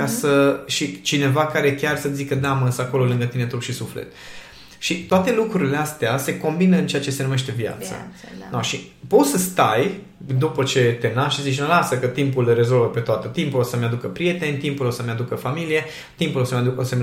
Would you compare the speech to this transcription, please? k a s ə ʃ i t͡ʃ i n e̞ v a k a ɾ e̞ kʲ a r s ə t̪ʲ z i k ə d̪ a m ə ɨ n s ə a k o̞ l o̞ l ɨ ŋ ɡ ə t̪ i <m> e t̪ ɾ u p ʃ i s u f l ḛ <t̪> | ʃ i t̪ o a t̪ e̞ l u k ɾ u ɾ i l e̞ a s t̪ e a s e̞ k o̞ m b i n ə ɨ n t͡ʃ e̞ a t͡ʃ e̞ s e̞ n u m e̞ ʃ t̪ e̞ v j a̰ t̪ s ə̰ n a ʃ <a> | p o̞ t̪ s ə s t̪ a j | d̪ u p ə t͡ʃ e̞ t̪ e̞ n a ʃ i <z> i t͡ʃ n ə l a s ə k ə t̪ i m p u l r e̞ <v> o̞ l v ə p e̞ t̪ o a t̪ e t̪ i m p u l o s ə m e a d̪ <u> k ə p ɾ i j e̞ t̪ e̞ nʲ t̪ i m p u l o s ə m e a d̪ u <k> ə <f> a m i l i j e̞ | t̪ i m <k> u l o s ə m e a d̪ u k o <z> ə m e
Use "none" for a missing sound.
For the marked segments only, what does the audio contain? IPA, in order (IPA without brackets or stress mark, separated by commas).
n, t̪, i, z, z, u, k, f, p, s